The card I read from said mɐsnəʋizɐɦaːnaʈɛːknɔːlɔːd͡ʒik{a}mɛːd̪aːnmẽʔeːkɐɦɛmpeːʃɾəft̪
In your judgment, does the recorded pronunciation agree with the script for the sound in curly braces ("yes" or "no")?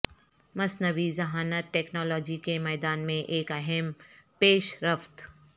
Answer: no